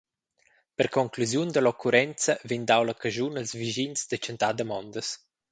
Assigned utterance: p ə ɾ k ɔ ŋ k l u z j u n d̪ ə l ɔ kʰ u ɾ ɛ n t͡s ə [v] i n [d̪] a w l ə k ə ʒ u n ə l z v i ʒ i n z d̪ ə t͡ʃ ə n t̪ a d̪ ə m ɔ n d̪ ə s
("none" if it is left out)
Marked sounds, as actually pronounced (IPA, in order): v, d̪

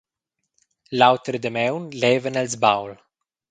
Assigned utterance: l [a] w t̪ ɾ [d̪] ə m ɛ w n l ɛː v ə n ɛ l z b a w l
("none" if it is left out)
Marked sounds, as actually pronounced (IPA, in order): a, d̪

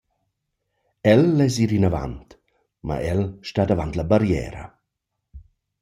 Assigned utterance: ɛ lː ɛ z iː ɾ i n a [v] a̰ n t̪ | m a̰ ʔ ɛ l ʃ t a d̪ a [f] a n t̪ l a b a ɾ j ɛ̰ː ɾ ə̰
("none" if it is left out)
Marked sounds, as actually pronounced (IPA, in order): v, v

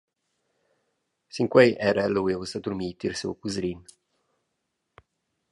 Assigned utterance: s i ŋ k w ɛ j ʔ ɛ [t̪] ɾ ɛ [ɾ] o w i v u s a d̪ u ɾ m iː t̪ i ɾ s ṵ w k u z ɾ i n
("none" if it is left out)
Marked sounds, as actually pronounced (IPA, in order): none, l

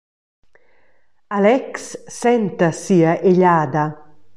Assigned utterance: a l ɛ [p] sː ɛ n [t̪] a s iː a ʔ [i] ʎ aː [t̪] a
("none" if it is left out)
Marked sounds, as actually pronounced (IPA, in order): k, t̪, e, d̪

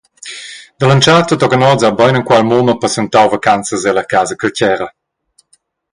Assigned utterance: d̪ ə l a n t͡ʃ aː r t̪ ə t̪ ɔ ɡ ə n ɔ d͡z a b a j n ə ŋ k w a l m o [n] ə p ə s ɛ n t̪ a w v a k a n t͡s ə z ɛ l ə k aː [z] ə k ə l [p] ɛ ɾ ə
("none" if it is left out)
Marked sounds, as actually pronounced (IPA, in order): m, z, c

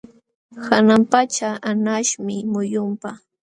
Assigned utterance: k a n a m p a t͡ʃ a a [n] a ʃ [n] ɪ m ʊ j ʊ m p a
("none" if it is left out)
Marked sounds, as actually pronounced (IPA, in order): n, m

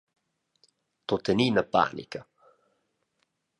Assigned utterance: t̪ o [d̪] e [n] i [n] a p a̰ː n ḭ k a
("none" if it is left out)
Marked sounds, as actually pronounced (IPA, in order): t̪, n, n

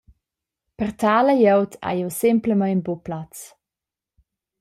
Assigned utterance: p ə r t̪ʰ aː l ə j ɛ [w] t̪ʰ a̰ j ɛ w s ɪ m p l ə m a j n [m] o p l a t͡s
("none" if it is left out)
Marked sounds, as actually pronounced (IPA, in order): w, b

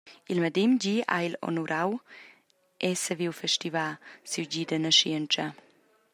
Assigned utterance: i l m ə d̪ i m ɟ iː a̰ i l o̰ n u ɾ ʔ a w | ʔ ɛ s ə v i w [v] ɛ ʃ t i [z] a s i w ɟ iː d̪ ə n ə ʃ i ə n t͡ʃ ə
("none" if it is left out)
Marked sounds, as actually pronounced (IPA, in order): f, v

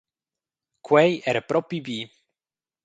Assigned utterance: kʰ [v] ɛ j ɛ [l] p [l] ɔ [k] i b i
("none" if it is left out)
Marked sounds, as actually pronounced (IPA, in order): w, ɾ, ɾ, p

